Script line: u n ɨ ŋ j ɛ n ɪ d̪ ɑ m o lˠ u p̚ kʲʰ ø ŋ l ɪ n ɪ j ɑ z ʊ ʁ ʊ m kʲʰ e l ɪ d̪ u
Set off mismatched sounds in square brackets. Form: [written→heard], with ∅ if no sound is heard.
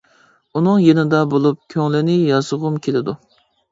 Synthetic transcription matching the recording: u n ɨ ŋ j [ɛ→e] n ɪ d̪ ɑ [m→b] o lˠ u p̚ kʲʰ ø ŋ l ɪ n ɪ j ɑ z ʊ ʁ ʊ m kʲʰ e l ɪ d̪ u

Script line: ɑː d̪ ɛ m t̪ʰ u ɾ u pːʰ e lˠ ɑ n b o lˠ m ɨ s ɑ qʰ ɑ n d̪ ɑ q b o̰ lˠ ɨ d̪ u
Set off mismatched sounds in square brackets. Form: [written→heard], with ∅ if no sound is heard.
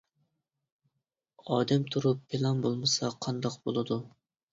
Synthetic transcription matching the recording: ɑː d̪ ɛ m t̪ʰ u ɾ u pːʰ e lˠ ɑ n b o lˠ m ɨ s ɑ qʰ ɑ n d̪ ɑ q b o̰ lˠ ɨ d̪ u

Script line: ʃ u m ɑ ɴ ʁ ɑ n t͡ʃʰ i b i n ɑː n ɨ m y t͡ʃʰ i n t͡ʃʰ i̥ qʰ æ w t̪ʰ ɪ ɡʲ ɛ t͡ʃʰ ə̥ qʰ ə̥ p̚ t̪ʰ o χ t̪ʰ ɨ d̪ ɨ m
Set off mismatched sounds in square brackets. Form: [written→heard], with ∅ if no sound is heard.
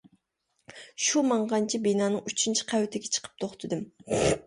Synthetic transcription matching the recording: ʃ u m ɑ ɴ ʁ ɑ n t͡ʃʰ i b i n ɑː n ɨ [m→ŋ] y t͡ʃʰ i n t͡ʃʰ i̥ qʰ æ w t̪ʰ ɪ ɡʲ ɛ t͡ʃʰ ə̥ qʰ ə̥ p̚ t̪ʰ o χ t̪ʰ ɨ d̪ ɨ m

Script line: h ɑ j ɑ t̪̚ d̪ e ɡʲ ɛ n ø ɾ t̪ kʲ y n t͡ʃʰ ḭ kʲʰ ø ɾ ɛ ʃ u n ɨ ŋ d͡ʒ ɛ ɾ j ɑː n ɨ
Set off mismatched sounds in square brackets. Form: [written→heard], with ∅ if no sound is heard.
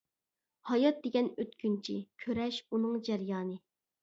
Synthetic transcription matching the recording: h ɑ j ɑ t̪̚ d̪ e ɡʲ ɛ n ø [ɾ→∅] t̪ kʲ y n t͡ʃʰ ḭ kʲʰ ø ɾ ɛ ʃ u n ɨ ŋ d͡ʒ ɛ ɾ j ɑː n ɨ

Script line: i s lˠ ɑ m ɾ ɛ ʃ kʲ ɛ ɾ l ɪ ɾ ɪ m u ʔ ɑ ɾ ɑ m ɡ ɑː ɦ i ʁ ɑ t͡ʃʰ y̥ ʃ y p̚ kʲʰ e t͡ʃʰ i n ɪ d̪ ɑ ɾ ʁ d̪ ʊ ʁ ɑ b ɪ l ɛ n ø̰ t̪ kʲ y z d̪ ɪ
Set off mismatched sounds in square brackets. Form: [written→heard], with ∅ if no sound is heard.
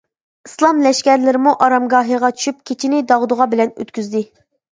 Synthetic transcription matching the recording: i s lˠ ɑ m [ɾ→l] ɛ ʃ kʲ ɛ ɾ l ɪ ɾ ɪ m u ʔ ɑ ɾ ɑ m ɡ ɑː ɦ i ʁ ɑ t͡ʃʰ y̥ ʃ y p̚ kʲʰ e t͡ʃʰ i n ɪ d̪ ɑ [ɾ→∅] ʁ d̪ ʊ ʁ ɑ b ɪ l ɛ n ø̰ t̪ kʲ y z d̪ ɪ

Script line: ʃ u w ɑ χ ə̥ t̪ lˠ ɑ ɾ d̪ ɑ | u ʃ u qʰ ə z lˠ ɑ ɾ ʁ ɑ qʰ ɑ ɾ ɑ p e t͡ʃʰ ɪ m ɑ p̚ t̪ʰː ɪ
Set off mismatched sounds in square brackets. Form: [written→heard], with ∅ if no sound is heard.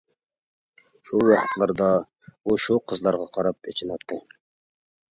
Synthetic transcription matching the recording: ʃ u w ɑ χ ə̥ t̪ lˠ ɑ ɾ d̪ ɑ | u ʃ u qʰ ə z lˠ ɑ ɾ ʁ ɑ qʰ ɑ ɾ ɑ p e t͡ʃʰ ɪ [m→n] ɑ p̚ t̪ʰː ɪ

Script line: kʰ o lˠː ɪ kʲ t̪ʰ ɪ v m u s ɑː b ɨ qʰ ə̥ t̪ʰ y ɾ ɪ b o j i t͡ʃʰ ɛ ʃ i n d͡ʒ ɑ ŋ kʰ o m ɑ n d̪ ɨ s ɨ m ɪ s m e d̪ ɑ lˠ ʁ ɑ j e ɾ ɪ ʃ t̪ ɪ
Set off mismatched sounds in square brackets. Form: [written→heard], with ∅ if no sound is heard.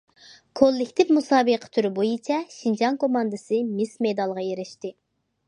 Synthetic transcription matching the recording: kʰ o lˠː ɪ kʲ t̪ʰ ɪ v m u s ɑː b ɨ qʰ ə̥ t̪ʰ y ɾ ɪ b o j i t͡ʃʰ ɛ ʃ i n d͡ʒ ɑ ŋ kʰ o m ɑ n d̪ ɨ s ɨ m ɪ s m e d̪ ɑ lˠ ʁ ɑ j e ɾ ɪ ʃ t̪ ɪ

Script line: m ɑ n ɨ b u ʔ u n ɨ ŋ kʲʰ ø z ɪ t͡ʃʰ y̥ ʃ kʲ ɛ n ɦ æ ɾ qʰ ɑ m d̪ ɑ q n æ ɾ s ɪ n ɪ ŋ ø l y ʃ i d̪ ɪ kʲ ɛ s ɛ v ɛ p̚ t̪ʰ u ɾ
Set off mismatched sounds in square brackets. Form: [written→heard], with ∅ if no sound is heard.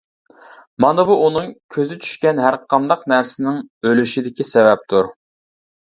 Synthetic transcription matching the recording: m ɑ n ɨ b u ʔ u n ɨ ŋ kʲʰ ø z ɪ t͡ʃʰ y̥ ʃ kʲ ɛ n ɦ æ ɾ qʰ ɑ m d̪ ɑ q n æ ɾ s ɪ n ɪ ŋ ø l y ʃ i d̪ ɪ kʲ [ɛ→i] s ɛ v ɛ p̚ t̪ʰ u ɾ

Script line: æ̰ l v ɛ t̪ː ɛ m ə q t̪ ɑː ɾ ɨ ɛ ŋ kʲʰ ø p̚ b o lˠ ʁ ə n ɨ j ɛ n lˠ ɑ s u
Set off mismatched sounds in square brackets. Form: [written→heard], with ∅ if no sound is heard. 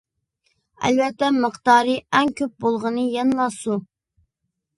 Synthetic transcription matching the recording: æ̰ l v ɛ t̪ː ɛ m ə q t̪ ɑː ɾ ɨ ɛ ŋ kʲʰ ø p̚ b o lˠ ʁ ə n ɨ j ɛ n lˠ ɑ s u

